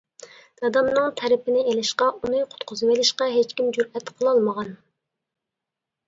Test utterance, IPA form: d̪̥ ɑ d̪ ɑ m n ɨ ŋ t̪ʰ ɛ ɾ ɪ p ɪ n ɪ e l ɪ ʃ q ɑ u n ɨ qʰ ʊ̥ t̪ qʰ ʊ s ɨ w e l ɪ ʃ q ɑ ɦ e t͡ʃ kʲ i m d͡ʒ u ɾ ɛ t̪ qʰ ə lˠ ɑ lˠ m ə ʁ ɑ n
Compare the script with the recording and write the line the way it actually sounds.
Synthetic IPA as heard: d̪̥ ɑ d̪ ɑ m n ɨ ŋ t̪ʰ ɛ ɾ ɪ p ɪ n ɪ e l ɪ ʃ q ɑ u n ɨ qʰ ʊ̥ t̪ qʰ ʊ z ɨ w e l ɪ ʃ q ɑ ɦ e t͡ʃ kʲ i m d͡ʒ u ɾ ɛ t̪ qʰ ə lˠ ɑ lˠ m ə ʁ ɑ n

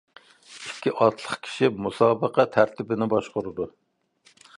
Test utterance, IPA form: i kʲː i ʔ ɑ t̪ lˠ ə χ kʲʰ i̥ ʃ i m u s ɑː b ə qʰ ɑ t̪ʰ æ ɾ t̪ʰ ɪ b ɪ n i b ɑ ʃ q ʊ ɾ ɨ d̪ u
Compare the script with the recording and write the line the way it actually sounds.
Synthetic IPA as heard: i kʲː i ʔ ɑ t̪ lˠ ə χ kʲʰ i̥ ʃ i m u s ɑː b ə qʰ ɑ t̪ʰ æ ɾ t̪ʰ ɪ b ɪ n ɪ b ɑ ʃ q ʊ ɾ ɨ d̪ u

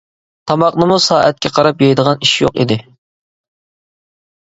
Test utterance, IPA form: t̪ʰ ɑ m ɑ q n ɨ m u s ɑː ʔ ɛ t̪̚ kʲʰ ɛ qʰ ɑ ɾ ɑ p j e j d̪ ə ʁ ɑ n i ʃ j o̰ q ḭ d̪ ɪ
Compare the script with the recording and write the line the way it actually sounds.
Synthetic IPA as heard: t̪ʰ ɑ m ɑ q n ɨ m u s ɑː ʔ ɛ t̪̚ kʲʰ ɛ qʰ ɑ ɾ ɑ p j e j d̪ ə ʁ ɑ n i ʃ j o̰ q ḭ d̪ ɪ

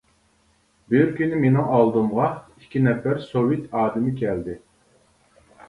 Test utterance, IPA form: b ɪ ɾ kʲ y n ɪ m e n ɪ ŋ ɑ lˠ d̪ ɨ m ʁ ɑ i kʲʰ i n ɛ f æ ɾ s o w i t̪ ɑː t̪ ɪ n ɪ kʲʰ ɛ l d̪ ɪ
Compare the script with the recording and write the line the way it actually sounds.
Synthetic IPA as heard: b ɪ ɾ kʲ y n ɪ m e n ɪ ŋ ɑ lˠ d̪ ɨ m ʁ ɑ i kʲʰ i n ɛ f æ ɾ s o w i t̪ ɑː d̪ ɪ m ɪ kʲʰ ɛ l d̪ ɪ

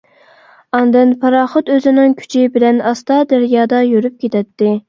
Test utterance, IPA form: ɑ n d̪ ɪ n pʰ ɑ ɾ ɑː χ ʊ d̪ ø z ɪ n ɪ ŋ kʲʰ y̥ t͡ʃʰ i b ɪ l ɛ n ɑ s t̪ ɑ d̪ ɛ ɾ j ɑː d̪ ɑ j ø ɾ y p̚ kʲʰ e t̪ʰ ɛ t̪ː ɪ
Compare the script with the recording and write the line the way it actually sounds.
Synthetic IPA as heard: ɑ n d̪ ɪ n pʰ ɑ ɾ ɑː χ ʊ t̪ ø z ɪ n ɪ ŋ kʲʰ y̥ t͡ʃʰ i b ɪ l ɛ n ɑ s t̪ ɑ d̪ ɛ ɾ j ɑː d̪ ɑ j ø ɾ y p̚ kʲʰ e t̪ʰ ɛ t̪ː ɪ

